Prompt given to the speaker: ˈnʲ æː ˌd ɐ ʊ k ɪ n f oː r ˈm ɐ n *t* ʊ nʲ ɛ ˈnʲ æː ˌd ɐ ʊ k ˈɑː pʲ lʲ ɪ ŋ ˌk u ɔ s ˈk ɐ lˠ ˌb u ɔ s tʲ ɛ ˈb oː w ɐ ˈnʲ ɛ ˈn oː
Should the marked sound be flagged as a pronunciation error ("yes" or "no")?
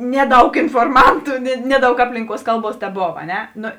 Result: no